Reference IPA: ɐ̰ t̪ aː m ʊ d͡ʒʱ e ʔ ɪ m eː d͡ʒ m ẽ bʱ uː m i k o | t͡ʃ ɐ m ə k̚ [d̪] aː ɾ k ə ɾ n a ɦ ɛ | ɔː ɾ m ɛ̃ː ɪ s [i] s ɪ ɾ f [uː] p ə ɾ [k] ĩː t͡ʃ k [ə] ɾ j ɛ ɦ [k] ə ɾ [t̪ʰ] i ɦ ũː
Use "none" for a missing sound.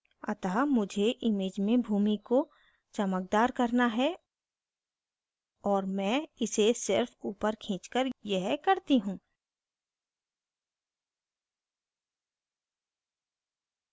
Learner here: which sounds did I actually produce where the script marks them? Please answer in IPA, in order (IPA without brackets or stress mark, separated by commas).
d̪, e, uː, kʰ, ə, k, t̪